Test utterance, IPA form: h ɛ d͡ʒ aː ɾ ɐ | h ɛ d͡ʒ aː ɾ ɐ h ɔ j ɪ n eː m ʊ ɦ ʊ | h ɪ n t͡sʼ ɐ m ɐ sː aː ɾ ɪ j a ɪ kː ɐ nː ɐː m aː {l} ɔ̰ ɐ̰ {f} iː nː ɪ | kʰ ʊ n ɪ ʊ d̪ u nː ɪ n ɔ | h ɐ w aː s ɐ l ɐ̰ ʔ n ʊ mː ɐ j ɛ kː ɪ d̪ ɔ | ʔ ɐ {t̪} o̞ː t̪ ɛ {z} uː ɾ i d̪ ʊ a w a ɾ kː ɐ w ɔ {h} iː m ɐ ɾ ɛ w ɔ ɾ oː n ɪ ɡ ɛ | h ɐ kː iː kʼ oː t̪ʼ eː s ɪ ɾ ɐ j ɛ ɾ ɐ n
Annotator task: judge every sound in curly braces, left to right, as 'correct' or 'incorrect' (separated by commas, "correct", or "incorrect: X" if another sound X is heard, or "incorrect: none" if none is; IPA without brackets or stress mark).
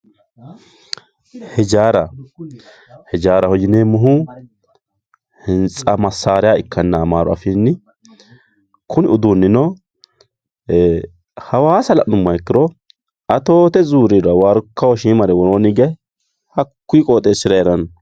incorrect: ɾ, correct, correct, correct, incorrect: ʃ